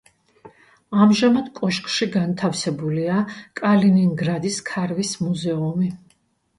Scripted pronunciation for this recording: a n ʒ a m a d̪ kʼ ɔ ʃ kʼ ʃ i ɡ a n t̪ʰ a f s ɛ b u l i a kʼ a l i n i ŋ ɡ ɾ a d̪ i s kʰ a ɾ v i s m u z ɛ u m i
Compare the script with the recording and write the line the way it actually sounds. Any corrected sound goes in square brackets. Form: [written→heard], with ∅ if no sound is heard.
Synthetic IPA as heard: a [n→m] ʒ a m a d̪ kʼ ɔ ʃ kʼ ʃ i ɡ a n t̪ʰ a f s ɛ b u l i a kʼ a l i n i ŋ ɡ ɾ a d̪ i s kʰ a ɾ v i s m u z ɛ u m i